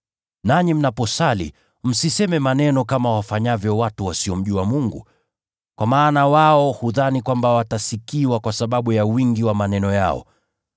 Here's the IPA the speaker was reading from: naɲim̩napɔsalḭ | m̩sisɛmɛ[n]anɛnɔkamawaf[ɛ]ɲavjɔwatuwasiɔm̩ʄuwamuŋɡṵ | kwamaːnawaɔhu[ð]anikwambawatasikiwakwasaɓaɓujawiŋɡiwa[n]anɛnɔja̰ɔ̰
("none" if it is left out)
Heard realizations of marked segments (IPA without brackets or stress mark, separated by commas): m, a, ð, m